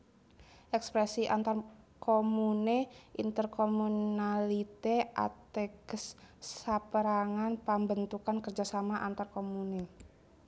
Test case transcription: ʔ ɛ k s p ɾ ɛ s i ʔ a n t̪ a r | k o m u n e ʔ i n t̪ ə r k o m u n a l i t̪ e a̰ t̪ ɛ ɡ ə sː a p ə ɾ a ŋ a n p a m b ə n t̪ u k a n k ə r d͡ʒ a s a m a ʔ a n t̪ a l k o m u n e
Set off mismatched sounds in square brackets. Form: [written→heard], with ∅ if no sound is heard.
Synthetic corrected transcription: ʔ ɛ k s p ɾ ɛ s i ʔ a n t̪ a r | k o m u n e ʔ i n t̪ ə r k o m u n a l i t̪ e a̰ t̪ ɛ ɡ ə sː a p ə ɾ a ŋ a n p a m b ə n t̪ u k a n k ə r d͡ʒ a s a m a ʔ a n t̪ a [l→r] k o m u n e